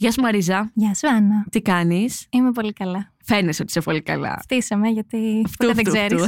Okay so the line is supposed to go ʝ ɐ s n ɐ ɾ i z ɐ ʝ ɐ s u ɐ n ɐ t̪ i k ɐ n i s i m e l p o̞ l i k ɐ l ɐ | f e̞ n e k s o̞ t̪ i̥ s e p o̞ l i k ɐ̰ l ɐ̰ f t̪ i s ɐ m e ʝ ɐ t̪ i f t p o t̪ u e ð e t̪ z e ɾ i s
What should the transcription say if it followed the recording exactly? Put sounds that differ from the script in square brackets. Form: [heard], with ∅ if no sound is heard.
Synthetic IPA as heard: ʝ ɐ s [m] ɐ ɾ i z ɐ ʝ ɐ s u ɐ n ɐ t̪ i k ɐ n i s i m e [∅] p o̞ l i k ɐ l ɐ | f e̞ n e [∅] s o̞ t̪ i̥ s e p o̞ l i k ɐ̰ l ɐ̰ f t̪ i s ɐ m e ʝ ɐ t̪ i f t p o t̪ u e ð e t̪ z e ɾ i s